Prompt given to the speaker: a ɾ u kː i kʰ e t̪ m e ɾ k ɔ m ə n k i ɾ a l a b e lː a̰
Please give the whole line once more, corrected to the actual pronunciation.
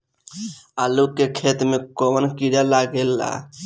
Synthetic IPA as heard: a l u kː e kʰ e t̪ m e k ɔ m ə n k i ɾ a l a ɡ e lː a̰